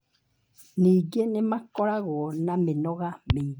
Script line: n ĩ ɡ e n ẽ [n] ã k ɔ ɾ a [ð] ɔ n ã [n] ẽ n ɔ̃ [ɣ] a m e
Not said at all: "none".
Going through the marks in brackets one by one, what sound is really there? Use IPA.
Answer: m, ɣ, m, ɣ

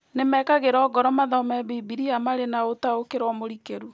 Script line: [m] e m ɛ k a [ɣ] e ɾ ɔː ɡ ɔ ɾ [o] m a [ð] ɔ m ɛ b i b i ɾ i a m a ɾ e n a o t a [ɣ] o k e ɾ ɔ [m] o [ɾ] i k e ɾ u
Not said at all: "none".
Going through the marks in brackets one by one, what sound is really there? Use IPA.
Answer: n, ɣ, ɔ, ð, none, m, ɾ

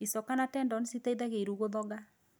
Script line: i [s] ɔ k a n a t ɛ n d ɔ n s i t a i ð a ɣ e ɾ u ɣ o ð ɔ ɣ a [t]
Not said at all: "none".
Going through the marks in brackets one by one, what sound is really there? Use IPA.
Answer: s, none

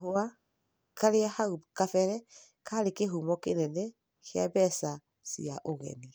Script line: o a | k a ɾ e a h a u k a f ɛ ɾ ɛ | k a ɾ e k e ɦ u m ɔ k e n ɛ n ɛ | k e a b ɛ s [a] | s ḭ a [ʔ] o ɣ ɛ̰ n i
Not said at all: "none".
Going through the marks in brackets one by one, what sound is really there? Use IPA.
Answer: a, ʔ

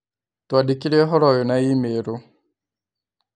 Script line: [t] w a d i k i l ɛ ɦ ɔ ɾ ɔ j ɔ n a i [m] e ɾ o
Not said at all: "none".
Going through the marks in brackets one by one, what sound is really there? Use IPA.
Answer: t, m

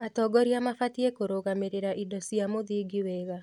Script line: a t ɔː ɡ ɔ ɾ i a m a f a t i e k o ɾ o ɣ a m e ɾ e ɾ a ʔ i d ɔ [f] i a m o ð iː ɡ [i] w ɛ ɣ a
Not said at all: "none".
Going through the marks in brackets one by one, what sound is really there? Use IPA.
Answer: s, i

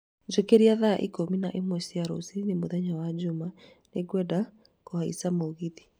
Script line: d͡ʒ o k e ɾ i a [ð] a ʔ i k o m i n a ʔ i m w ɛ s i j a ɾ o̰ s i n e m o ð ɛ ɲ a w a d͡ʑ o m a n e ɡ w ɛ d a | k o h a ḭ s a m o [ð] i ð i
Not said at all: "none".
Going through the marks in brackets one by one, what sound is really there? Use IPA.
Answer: ð, ɣ

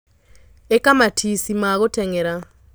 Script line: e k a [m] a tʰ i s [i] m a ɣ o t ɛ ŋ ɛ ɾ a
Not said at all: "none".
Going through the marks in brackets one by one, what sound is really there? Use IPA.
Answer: m, i

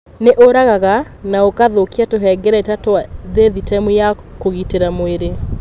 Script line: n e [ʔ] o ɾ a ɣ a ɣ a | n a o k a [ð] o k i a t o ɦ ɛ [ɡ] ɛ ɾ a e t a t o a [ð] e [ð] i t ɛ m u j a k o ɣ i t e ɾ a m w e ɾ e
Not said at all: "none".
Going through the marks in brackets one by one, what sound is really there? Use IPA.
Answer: ʔ, ð, ɡ, ð, ð

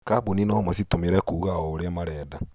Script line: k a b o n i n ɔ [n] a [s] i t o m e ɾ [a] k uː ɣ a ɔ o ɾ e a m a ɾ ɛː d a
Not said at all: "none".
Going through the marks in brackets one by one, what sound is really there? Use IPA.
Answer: m, s, ɛ

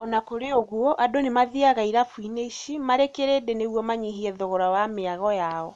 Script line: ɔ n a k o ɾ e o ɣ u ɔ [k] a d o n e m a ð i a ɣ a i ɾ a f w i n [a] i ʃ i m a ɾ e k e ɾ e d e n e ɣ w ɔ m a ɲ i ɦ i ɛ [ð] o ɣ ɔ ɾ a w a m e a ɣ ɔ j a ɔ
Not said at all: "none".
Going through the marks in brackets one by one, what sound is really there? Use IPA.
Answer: ʔ, e, ð

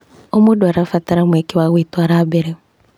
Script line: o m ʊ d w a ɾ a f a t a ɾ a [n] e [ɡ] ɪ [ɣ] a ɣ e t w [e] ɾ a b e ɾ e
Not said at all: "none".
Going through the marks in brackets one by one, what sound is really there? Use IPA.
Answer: m, k, w, a

